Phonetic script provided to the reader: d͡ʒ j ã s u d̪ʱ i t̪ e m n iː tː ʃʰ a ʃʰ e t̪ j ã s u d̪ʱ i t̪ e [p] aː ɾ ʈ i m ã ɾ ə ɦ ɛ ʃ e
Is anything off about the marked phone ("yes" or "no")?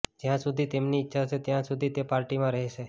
no